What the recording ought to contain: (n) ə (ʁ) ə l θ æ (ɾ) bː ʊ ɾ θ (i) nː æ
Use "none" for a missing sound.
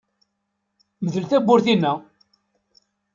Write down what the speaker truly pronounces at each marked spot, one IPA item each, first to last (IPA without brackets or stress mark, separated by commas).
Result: m, ð, none, i